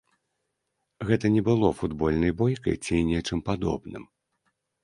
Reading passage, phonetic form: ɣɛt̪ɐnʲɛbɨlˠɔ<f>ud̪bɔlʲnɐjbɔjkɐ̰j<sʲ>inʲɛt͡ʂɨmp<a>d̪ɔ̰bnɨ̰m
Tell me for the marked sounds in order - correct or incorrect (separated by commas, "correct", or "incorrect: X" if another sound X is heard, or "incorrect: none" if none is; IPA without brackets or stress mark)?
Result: correct, incorrect: t͡sʲ, correct